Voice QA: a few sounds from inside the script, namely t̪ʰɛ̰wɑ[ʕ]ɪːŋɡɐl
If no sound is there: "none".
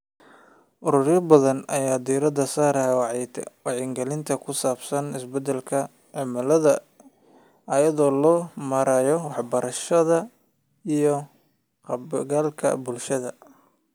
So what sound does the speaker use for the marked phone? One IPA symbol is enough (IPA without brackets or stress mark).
ʕ